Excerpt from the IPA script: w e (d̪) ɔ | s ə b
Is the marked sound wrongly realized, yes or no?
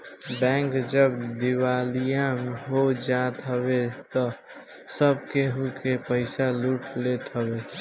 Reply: yes